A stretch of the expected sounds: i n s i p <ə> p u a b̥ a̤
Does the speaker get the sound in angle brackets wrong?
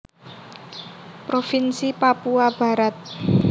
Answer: yes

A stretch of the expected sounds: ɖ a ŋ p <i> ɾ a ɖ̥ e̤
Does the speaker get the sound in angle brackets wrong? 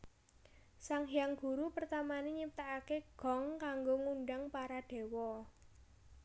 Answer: yes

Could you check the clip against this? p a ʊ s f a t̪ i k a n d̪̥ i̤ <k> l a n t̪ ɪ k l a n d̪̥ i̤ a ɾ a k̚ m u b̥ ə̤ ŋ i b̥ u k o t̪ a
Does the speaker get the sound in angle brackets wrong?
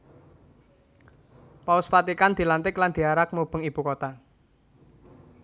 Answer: yes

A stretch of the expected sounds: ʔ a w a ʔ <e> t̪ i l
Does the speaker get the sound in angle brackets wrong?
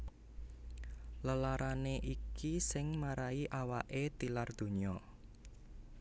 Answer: no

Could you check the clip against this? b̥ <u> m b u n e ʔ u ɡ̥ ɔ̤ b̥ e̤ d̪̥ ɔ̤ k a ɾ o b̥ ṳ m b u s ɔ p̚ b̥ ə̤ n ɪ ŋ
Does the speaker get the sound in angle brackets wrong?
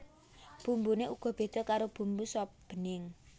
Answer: no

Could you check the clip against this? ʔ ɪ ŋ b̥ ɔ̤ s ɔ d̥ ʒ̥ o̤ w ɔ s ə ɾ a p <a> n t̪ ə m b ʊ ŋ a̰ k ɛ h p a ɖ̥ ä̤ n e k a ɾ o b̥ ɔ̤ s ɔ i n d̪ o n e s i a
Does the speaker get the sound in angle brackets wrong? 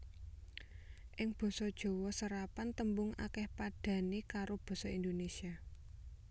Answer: no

